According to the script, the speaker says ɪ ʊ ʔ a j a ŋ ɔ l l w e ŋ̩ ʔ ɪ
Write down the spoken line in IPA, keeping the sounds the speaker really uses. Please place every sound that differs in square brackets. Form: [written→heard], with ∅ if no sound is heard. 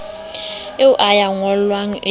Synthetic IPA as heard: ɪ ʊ ʔ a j a ŋ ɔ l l w [e→a] ŋ̩ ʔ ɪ